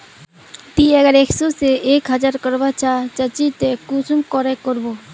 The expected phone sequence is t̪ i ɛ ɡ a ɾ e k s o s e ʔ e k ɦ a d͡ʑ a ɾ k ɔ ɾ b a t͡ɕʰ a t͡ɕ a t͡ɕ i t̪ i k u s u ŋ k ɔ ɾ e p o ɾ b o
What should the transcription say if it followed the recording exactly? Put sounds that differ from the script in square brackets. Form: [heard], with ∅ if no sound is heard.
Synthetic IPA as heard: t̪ i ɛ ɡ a ɾ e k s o s e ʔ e k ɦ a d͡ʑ a ɾ k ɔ ɾ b a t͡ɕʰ a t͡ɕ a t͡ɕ i t̪ [e] k u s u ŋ k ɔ ɾ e [k] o ɾ b o